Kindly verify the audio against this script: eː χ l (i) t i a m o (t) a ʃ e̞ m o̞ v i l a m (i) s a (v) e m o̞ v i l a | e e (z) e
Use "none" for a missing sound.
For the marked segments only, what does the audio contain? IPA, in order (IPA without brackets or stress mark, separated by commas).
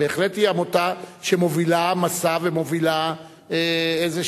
e, t, a, v, z